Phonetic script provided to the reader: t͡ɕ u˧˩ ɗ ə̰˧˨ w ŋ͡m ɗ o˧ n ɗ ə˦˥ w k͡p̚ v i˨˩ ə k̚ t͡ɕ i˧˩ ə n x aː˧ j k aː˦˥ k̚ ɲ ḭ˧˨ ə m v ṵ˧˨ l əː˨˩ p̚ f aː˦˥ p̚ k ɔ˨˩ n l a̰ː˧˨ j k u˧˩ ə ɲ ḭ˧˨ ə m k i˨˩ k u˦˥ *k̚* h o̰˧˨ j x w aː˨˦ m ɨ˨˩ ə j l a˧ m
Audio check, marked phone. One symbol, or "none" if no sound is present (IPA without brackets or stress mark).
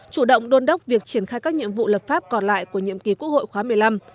k̚